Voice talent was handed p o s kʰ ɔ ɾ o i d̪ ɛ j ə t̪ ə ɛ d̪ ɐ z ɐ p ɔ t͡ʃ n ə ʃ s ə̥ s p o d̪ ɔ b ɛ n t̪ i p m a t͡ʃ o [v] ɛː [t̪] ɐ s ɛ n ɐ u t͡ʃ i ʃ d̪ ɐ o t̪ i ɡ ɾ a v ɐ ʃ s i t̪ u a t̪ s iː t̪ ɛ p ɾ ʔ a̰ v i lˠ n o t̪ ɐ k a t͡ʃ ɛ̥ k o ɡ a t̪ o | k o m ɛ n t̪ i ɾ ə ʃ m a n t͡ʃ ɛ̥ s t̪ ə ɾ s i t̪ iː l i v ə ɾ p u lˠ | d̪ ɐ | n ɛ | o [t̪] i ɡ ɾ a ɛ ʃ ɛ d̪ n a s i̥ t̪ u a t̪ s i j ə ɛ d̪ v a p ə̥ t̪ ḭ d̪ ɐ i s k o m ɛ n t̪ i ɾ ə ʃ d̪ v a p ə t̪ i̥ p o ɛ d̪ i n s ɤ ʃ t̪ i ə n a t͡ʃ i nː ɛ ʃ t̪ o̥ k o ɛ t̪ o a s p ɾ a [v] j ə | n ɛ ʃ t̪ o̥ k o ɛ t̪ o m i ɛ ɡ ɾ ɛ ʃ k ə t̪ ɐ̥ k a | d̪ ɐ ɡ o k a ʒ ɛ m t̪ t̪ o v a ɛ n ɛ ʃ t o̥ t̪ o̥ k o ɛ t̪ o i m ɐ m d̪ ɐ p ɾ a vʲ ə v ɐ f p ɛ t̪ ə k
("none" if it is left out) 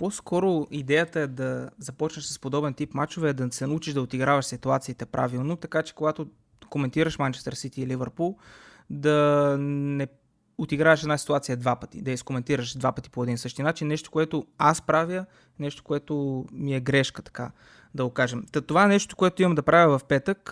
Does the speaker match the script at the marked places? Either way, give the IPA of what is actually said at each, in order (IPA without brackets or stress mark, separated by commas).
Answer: v, d̪, t̪, v